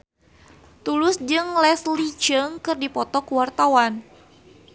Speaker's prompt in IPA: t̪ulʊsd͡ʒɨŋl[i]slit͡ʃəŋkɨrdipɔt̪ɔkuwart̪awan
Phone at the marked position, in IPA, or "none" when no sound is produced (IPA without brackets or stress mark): ɛ